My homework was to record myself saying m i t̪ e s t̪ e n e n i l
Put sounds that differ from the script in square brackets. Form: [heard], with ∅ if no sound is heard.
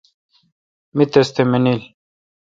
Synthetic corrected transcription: m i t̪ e s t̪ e [m] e n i l